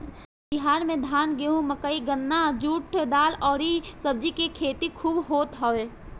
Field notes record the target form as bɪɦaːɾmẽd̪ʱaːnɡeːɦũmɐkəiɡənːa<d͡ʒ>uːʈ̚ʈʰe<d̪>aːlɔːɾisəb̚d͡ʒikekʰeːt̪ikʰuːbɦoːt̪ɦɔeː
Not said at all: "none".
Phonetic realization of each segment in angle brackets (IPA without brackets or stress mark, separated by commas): d͡ʒ, d̪